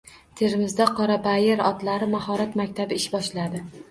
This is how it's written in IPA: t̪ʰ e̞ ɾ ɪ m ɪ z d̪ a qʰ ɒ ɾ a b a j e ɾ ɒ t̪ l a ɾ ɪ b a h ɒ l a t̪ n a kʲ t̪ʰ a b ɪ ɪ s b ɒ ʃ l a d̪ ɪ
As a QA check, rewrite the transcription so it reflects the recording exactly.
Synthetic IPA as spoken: t̪ʰ e̞ ɾ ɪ m ɪ z d̪ a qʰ ɒ ɾ a b a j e ɾ ɒ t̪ l a ɾ ɪ m a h ɒ ɾ a t̪ m a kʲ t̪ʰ a b ɪ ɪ ʃ b ɒ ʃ l a d̪ ɪ